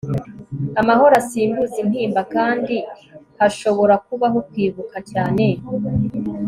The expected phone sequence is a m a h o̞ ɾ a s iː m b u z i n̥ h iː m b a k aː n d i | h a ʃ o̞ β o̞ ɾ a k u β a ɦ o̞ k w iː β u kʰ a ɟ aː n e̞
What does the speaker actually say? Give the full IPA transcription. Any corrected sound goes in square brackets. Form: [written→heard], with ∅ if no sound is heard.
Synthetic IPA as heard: a m a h o̞ ɾ a s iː m b u z i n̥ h iː m b a k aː n d i | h a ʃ o̞ β o̞ ɾ a k u β a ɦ o̞ k w iː β u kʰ a [ɟ→c] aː n e̞